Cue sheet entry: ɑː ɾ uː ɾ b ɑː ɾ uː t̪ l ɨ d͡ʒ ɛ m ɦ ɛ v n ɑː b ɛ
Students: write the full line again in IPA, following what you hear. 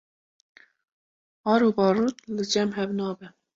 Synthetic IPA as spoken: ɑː ɾ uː b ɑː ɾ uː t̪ l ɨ d͡ʒ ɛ m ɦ ɛ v n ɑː b ɛ